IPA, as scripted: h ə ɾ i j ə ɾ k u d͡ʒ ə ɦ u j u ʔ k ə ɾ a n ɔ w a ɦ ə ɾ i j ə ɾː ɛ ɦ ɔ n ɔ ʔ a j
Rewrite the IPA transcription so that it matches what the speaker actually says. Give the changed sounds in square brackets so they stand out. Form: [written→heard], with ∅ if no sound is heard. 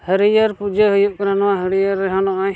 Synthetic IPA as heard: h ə ɾ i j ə ɾ [k→p] u d͡ʒ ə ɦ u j u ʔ k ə ɾ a n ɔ w a ɦ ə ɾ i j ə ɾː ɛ ɦ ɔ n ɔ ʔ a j

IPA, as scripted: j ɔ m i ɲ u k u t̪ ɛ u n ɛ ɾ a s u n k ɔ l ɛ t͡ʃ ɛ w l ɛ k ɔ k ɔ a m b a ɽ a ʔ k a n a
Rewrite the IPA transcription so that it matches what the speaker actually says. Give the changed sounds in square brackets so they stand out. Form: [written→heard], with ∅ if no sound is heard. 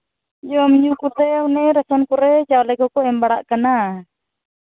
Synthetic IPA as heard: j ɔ m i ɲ u k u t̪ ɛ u n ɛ ɾ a s [u→ɔ] n k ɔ [l→ɾ] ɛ t͡ʃ [ɛ→a] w l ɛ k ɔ k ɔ [a→ɛ] m b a ɽ a ʔ k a n a

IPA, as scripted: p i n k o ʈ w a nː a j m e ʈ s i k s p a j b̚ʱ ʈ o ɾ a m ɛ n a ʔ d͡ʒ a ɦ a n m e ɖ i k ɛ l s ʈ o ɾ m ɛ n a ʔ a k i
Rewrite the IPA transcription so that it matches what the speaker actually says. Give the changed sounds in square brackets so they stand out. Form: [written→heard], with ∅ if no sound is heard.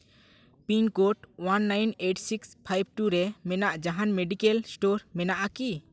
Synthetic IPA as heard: p i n k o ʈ w a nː a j [m→n] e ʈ s i k s [p→pʰ] a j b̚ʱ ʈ [o→u] ɾ [a→ɛ] m ɛ n a ʔ d͡ʒ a ɦ a n m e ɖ i k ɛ l s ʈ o ɾ m ɛ n a ʔ a k i

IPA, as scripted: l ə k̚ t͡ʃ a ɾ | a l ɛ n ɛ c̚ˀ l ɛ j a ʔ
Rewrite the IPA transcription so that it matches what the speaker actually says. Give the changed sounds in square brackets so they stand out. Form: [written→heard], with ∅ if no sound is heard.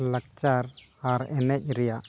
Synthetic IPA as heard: l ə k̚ t͡ʃ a ɾ | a [l→ɾ] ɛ n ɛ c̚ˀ [l→ɾ] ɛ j a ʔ

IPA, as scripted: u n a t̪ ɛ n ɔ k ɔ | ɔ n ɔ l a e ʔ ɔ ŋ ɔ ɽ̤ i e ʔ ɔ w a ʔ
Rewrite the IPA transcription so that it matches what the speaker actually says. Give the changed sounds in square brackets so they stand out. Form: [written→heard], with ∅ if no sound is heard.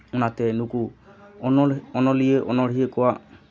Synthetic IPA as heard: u n a t̪ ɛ n [ɔ→u] k [ɔ→u] | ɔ n ɔ l [a→i] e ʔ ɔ [ŋ→n] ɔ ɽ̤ i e [ʔ→k] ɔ w a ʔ

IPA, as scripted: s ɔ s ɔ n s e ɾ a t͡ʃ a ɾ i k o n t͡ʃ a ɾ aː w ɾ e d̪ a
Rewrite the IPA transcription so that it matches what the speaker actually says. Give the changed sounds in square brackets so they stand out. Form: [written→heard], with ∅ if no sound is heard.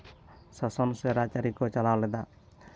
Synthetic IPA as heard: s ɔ s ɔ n s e ɾ a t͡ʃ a ɾ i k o [n→∅] t͡ʃ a [ɾ→l] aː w [ɾ→l] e d̪ a

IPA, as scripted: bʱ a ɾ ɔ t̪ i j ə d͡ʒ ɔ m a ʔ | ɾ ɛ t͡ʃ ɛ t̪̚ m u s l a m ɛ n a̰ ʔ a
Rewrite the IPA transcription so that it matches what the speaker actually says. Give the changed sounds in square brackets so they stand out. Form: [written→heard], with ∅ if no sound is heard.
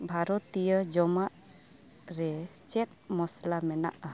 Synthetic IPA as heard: bʱ a ɾ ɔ t̪ i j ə d͡ʒ ɔ m a ʔ | ɾ ɛ t͡ʃ ɛ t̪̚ m [u→ɔ] s l a m ɛ n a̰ ʔ a

